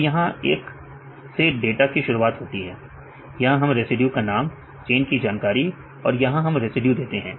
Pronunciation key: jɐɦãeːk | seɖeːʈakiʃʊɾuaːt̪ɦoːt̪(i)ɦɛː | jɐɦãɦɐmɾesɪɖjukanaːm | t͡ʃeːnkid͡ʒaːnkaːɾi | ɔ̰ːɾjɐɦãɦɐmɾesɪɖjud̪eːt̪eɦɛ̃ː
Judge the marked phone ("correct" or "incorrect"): correct